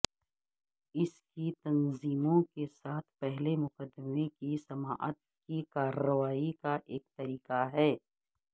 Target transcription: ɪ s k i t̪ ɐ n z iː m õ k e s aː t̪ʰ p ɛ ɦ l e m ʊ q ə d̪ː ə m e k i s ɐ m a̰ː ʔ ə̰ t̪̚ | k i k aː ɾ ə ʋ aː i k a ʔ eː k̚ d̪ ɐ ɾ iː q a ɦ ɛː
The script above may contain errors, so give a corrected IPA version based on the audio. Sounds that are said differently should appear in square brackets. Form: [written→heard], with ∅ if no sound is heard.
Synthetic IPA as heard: ɪ s k i t̪ ɐ n z iː m õ k e s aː t̪ʰ p ɛ ɦ l e m ʊ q ə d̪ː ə m e k i s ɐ m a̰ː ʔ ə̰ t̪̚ | k i k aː ɾ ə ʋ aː i k a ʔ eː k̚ [d̪→t̪] ɐ ɾ iː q a ɦ ɛː